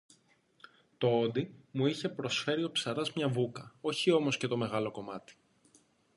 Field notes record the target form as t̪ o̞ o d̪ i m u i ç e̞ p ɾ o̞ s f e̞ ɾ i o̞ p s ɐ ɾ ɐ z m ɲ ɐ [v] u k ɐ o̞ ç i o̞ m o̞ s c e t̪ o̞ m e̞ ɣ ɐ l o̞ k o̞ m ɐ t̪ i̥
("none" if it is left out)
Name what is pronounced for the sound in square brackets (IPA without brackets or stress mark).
v